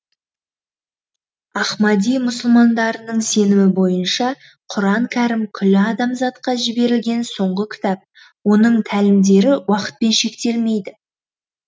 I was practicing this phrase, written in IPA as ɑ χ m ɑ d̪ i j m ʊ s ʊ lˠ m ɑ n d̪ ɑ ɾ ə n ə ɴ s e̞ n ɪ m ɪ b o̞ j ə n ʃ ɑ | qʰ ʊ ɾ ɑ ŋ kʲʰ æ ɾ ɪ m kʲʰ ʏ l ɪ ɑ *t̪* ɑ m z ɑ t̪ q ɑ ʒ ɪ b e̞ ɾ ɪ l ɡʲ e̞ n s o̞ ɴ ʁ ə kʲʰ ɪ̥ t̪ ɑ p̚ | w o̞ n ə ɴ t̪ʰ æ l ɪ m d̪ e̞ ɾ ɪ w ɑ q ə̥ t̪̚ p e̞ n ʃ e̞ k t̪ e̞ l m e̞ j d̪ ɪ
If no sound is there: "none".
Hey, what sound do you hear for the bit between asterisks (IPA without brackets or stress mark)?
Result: d̪